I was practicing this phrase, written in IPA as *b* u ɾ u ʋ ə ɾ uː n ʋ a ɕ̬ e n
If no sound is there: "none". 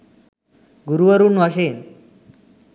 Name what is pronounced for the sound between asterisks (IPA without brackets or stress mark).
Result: ɡ